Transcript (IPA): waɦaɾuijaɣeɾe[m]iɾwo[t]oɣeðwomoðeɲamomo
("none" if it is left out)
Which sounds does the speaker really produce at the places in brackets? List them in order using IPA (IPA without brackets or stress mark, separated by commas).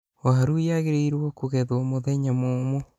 none, k